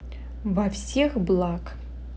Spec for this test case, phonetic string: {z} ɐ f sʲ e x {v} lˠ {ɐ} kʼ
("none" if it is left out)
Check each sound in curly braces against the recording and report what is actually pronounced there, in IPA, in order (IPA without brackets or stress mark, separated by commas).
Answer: v, b, a